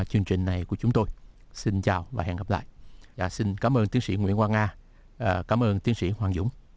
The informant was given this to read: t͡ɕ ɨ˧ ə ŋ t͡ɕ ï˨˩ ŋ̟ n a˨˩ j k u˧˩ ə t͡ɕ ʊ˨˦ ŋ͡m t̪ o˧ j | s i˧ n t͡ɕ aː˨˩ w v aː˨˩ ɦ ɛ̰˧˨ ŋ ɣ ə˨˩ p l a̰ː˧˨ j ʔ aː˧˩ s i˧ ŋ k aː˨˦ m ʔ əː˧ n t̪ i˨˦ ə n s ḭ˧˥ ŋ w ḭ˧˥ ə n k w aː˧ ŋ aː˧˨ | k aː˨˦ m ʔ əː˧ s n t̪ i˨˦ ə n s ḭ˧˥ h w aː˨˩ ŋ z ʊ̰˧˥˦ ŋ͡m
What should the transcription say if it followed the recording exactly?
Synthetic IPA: t͡ɕ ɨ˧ ə ŋ t͡ɕ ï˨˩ ŋ̟ n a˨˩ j k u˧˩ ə t͡ɕ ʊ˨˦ ŋ͡m t̪ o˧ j | s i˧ n t͡ɕ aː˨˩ w v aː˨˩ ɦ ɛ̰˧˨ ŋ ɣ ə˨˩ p l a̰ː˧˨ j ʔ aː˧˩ s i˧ n k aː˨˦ m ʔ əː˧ n t̪ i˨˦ ə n s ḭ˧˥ ŋ w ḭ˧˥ ə n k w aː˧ ŋ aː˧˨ | k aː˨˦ m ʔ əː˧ n t̪ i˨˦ ə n s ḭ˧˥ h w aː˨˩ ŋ z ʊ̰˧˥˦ ŋ͡m